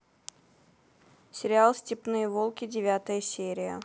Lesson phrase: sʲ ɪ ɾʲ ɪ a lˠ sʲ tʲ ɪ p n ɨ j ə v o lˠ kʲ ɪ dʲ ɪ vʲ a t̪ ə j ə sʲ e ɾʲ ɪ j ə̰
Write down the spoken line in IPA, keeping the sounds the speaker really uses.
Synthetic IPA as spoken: sʲ ɪ ɾʲ ɪ a lˠ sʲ tʲ ɪ p n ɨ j ə v o lˠ kʲ ɪ dʲ ɪ vʲ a t̪ ə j ə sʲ e ɾʲ ɪ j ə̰